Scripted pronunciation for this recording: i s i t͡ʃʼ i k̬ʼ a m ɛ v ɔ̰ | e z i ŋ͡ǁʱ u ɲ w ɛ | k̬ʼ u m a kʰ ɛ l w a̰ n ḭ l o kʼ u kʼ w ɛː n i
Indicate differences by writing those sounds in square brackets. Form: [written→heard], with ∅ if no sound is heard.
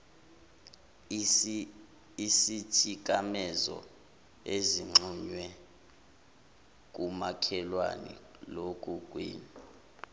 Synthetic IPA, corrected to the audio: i s i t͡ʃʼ i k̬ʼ a m ɛ [v→z] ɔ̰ | e z i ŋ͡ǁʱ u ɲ w ɛ | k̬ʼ u m a kʰ ɛ l w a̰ n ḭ l o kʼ u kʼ w [ɛː→iː] n i